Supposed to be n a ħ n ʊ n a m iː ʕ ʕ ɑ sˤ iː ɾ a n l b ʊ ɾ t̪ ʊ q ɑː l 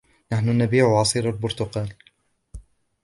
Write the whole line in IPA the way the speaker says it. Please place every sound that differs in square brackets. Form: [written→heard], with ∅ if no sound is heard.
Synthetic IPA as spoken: n a ħ n ʊ n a [m→b] iː ʕ ʕ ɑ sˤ iː ɾ a [n→∅] l b ʊ ɾ t̪ ʊ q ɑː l